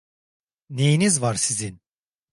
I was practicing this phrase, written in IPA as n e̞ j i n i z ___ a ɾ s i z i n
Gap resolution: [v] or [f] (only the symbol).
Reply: v